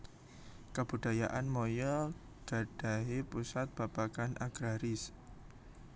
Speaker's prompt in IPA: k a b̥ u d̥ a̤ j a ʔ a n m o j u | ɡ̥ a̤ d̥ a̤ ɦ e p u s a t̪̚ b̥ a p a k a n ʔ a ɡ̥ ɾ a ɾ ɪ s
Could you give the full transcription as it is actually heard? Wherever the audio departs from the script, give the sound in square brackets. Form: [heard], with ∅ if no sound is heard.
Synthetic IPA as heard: k a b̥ u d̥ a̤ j a ʔ a n m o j [ɔ] | ɡ̥ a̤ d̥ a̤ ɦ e p u s a t̪̚ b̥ a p a k a n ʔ a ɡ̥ ɾ a ɾ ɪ s